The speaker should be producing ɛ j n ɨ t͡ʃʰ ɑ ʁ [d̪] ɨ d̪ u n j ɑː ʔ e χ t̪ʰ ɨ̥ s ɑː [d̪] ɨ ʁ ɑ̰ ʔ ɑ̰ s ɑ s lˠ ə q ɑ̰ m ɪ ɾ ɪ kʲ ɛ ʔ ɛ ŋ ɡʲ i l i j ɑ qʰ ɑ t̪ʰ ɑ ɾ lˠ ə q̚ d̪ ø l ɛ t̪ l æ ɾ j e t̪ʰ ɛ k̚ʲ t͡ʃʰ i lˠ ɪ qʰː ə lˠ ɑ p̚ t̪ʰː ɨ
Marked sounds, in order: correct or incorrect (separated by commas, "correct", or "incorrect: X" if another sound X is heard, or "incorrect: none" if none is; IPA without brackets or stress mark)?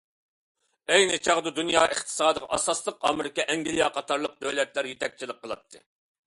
correct, correct